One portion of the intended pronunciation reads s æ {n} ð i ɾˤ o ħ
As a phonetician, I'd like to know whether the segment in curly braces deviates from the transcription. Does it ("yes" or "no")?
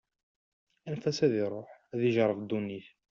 yes